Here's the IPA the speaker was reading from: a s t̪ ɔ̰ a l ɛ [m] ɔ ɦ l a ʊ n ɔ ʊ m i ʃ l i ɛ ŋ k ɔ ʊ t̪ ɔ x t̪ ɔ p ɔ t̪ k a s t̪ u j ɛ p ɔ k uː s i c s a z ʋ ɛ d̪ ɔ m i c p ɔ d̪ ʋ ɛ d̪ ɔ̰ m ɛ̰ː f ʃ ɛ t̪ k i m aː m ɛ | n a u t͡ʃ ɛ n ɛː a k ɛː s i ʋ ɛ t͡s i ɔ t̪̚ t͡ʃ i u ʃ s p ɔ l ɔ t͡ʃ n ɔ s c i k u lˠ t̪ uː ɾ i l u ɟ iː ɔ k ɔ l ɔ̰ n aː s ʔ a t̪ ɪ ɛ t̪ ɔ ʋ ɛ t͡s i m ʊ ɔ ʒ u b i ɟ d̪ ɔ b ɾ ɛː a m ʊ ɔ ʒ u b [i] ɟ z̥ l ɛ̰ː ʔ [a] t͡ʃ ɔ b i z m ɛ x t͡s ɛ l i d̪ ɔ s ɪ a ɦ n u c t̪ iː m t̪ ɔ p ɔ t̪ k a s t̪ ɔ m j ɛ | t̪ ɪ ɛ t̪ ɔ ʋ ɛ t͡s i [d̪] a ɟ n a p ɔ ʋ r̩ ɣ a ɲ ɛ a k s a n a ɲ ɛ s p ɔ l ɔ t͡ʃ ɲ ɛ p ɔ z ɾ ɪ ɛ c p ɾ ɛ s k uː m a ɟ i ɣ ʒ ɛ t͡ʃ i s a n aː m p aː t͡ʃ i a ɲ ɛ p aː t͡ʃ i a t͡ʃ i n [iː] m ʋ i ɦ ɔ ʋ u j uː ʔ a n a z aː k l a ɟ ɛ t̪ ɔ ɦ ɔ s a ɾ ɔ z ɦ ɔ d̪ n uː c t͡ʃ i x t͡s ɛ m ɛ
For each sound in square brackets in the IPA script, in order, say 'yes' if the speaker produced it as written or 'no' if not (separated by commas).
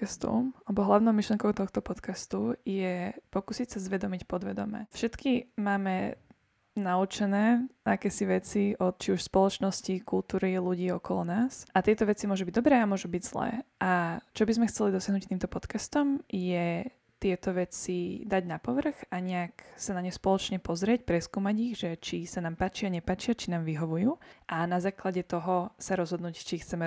no, yes, yes, yes, no